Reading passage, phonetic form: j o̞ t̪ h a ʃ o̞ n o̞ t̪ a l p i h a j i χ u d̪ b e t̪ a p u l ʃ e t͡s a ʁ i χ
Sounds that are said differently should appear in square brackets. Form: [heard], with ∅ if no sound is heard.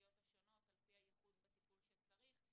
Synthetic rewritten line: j o̞ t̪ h a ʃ o̞ n o̞ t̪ a l p i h a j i χ u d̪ b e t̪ [i] p u l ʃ e t͡s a ʁ i χ